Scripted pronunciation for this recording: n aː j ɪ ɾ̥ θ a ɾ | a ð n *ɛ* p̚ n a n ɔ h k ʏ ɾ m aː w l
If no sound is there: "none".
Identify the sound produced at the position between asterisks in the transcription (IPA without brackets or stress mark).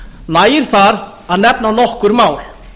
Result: ɛ